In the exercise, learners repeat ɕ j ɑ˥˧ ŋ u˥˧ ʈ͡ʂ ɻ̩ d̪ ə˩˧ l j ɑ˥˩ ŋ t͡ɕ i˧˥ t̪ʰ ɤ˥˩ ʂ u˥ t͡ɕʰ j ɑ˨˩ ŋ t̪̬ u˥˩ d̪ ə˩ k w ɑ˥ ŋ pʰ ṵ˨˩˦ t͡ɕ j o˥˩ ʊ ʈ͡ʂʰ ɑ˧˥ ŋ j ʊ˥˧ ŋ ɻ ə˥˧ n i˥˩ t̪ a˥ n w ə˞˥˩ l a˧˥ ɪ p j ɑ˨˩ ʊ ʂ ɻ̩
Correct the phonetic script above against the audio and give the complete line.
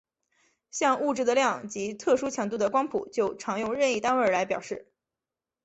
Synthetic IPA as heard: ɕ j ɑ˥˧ ŋ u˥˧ ʈ͡ʂ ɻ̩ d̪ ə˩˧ l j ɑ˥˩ ŋ t͡ɕ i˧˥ t̪ʰ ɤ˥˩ ʂ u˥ t͡ɕʰ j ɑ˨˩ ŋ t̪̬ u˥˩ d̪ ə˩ k w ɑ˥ ŋ pʰ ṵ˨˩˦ t͡ɕ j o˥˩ ʊ ʈ͡ʂʰ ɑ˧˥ ŋ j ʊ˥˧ ŋ ɻ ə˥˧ n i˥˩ t̪ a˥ n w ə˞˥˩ l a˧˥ ɪ p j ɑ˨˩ ʊ ʂ ɻ̩